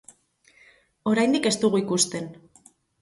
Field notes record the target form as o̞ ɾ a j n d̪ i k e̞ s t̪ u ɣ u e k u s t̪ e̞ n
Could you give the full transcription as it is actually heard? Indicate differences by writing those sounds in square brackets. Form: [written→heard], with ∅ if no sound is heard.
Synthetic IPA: o̞ ɾ a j n d̪ i k e̞ s t̪ u ɣ u [e→i] k u s t̪ e̞ n